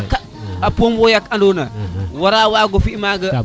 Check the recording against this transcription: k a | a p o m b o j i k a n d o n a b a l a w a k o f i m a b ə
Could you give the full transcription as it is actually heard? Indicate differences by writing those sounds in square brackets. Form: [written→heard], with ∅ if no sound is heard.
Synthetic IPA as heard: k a | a p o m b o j [i→a] k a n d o n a [b→w] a [l→ɾ] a w a [k→ɡ] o f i m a [b→ɡ] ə